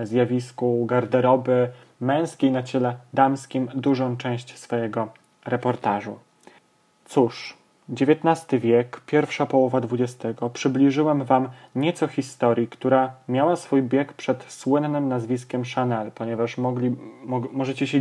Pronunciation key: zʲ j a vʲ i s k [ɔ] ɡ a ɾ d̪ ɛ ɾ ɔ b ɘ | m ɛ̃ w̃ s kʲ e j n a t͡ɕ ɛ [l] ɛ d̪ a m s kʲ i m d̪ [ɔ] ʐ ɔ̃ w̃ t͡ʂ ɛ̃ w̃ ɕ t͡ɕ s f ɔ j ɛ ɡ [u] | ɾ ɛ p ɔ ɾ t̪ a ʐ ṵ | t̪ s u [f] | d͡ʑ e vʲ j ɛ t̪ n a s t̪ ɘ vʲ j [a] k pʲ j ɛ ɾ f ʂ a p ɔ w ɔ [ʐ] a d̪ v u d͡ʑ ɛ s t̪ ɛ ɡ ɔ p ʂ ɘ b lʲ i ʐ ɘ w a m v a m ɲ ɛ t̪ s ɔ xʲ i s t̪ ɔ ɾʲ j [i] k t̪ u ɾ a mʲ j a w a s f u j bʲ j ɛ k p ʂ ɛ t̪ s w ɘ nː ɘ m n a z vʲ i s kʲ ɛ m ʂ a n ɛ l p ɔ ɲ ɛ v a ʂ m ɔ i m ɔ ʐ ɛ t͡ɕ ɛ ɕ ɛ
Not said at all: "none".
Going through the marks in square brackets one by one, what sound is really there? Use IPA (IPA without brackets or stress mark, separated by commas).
u, l, u, ɔ, ʂ, ɛ, v, i